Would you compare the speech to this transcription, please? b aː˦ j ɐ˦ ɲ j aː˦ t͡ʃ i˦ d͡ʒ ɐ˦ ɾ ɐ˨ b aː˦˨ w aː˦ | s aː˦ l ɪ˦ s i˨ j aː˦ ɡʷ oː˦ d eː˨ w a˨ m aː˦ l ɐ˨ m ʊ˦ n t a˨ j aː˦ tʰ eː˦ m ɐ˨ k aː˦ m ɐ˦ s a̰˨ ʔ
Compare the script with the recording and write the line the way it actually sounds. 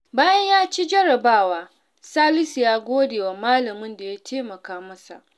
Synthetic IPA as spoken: b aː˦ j ɐ˦ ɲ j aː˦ t͡ʃ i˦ d͡ʒ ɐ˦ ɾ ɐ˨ b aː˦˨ w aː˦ | s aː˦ l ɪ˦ s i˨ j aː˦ ɡʷ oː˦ d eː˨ w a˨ m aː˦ l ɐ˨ m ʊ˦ n d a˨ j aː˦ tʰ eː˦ m ɐ˨ k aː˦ m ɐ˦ s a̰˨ ʔ